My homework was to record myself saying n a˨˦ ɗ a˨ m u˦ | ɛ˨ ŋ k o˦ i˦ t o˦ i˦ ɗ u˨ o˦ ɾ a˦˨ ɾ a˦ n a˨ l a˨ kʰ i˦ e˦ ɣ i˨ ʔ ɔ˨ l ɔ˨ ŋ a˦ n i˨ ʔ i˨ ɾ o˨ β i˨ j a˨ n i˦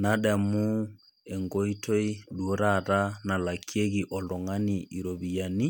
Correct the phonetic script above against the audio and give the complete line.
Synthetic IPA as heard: n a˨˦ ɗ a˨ m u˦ | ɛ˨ ŋ ɡ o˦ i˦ t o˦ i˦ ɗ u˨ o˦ ɾ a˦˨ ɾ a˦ n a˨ l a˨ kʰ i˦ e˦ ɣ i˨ ʔ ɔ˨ l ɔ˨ ŋ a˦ n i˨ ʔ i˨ ɾ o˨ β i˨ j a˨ n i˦